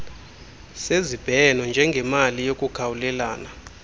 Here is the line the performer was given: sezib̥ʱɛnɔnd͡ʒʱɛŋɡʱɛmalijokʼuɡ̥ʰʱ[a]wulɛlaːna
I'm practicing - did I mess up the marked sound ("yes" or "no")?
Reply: no